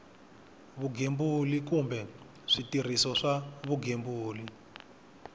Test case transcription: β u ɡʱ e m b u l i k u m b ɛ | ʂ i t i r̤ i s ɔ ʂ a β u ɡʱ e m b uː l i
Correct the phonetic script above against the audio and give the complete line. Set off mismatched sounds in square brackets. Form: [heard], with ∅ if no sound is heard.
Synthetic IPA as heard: β u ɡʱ e m b u l i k u m b ɛ | ʂ i t i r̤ i s ɔ ʂ a β u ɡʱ e m b uː l i